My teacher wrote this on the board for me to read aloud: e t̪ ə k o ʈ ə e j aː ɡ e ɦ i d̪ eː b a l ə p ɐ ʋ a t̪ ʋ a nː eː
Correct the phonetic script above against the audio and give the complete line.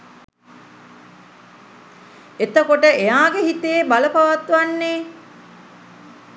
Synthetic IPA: e t̪ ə k o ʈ ə e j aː ɡ e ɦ i t̪ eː b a l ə p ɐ ʋ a t̪ ʋ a nː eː